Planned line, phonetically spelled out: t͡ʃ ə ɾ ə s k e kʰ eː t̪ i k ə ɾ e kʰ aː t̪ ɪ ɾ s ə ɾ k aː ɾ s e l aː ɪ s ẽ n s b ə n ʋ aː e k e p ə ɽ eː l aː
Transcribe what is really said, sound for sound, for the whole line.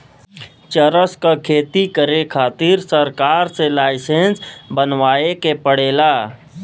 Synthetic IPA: t͡ʃ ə ɾ ə s k a kʰ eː t̪ i k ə ɾ e kʰ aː t̪ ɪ ɾ s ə ɾ k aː ɾ s e l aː ɪ s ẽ n s b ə n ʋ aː e k e p ə ɽ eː l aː